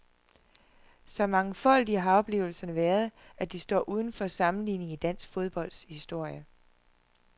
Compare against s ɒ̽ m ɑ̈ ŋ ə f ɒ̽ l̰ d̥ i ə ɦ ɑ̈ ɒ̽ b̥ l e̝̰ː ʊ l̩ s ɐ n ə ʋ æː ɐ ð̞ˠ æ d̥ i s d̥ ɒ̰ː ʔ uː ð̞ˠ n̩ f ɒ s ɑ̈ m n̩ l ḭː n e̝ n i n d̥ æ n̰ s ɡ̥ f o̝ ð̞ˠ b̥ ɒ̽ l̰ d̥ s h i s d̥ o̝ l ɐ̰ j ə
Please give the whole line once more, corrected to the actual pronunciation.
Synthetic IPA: s ɒ̽ m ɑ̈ ŋ ə f ɒ̽ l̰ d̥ i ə ɦ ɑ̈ ɒ̽ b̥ l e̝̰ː ʊ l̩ s ɐ n ə ʋ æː ɐ ð̞ˠ æ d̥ i s d̥ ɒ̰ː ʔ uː ð̞ˠ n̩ f ɒ s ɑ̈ m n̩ l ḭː n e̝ ŋ i d̥ æ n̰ s ɡ̥ f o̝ ð̞ˠ b̥ ɒ̽ l̰ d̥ s h i s d̥ o̝ ɐ̰ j ə

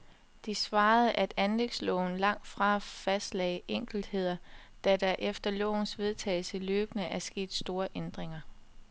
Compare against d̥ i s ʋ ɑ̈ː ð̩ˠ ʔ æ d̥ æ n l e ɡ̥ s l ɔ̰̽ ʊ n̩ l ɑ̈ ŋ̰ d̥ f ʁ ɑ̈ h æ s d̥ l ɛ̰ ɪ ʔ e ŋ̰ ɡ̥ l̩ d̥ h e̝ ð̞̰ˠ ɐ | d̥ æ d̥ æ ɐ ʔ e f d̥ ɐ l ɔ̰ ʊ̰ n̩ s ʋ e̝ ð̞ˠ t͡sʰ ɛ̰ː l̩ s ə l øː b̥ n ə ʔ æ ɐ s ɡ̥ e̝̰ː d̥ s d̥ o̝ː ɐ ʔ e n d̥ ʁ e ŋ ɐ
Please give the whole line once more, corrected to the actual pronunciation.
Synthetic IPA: d̥ i s ʋ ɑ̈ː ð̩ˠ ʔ æ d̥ æ n l e ɡ̥ s l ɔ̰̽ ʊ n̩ l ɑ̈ ŋ̰ d̥ f ʁ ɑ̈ f æ s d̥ l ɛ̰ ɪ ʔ e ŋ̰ ɡ̥ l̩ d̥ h e̝ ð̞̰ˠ ɐ | d̥ æ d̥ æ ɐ ʔ e f d̥ ɐ l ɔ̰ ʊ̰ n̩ s ʋ e̝ ð̞ˠ t͡sʰ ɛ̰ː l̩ s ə l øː b̥ n ə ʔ æ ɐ s ɡ̥ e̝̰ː d̥ s d̥ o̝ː ɐ ʔ e n d̥ ʁ e ŋ ɐ

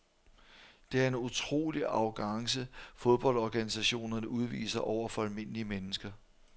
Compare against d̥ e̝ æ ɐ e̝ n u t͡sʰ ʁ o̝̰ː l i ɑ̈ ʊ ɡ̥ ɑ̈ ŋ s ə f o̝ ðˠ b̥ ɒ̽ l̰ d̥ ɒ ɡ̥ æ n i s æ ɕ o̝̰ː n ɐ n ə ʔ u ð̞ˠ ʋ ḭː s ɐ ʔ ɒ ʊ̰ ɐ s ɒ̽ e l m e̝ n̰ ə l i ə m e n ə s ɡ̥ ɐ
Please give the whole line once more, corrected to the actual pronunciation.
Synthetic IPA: d̥ e̝ æ ɐ e̝ n u t͡sʰ ʁ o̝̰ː l i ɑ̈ ʊ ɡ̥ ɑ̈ ŋ s ə f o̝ ðˠ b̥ ɒ̽ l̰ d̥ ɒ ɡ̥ æ n i s æ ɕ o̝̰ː n ɐ n ə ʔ u ð̞ˠ ʋ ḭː s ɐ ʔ ɒ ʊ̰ ɐ f ɒ̽ æ l m e̝ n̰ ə l i ə m e n ə s ɡ̥ ɐ

